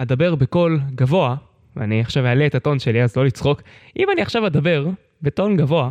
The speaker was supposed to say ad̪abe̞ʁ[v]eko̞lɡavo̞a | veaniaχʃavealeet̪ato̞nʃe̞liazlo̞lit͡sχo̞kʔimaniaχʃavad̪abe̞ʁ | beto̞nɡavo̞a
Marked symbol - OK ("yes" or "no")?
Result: no